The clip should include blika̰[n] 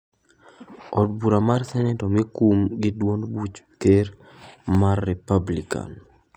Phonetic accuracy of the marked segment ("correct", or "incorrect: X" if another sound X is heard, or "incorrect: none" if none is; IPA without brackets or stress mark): correct